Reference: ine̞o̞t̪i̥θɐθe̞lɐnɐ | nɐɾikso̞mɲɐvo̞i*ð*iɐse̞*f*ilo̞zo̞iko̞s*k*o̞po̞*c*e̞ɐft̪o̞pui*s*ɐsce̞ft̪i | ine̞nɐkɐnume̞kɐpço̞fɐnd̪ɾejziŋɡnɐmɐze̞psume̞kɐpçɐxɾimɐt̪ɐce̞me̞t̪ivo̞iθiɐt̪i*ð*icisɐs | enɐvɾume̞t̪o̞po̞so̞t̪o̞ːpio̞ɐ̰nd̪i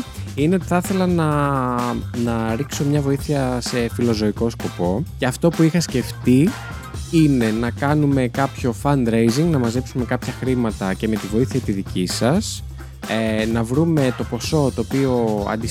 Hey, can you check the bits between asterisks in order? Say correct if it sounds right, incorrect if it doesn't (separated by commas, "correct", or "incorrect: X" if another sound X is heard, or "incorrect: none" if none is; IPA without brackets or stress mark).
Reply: incorrect: θ, correct, correct, correct, incorrect: x, correct